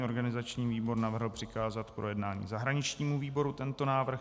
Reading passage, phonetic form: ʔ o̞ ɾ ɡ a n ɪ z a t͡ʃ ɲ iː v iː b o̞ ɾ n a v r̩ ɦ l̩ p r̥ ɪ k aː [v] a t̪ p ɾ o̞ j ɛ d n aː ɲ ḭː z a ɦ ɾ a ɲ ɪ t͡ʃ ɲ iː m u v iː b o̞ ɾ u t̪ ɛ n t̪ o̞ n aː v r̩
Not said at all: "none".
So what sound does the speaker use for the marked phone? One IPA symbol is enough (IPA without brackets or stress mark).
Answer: z